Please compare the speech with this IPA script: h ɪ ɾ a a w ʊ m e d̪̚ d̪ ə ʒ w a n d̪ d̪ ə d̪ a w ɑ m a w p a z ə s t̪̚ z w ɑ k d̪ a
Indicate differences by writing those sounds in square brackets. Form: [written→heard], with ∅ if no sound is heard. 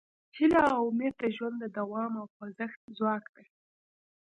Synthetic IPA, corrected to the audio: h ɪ [ɾ→l] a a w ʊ m e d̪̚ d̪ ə ʒ w a n d̪ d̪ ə d̪ a w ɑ m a w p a z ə [s→x] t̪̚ z w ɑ k d̪ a